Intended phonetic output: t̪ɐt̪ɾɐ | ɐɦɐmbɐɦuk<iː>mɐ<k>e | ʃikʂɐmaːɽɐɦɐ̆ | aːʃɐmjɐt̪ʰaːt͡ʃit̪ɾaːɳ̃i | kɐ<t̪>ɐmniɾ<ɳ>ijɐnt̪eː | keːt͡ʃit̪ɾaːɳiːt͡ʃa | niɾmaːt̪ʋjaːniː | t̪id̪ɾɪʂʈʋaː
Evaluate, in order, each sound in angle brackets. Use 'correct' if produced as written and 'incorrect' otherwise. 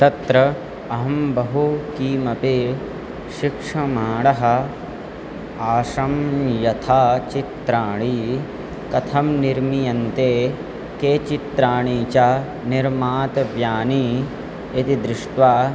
correct, incorrect: p, incorrect: t̪ʰ, incorrect: m

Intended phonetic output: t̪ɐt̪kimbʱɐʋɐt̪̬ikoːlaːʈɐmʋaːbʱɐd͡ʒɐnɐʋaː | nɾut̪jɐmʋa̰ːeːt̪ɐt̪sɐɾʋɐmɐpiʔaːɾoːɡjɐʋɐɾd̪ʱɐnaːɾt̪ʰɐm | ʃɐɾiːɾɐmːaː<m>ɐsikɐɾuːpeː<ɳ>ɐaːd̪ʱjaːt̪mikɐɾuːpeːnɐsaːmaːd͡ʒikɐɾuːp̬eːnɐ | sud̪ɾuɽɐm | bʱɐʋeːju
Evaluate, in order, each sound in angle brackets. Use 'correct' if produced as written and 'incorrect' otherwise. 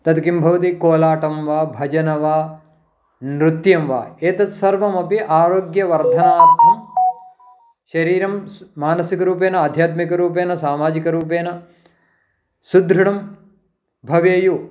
incorrect: n, incorrect: n

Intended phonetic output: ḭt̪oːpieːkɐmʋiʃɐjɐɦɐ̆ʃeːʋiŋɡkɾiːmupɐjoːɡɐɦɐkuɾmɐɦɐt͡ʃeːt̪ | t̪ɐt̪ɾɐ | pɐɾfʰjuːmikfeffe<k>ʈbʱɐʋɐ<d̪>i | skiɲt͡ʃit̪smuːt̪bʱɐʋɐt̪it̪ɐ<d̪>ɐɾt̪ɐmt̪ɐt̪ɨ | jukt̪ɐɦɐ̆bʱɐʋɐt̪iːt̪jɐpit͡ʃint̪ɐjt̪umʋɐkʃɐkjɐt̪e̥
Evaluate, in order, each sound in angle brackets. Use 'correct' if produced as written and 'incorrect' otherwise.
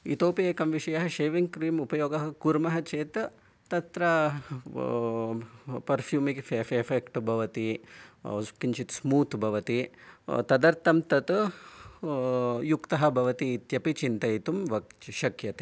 correct, incorrect: t̪, correct

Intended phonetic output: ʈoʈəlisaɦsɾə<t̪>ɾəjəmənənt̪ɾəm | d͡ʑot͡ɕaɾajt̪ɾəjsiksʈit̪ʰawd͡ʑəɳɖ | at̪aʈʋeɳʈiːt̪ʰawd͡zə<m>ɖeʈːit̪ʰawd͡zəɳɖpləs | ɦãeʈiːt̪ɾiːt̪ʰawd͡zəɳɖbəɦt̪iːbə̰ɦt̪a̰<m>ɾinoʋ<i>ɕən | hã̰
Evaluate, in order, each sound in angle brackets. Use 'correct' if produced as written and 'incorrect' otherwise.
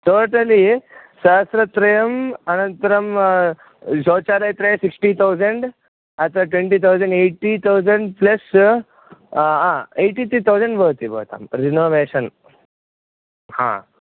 correct, incorrect: ɳ, correct, incorrect: e

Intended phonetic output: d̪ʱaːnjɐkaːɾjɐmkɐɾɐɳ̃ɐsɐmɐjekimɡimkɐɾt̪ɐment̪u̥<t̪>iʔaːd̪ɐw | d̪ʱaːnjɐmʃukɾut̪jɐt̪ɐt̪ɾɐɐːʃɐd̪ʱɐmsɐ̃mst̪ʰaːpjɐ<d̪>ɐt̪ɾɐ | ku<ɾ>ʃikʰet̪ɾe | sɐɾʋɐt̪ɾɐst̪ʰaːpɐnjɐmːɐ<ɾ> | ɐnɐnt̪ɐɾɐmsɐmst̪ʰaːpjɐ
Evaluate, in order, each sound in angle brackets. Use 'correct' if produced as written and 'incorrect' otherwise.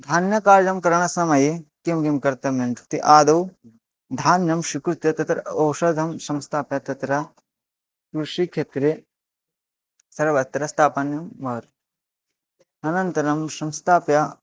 correct, incorrect: t̪, correct, correct

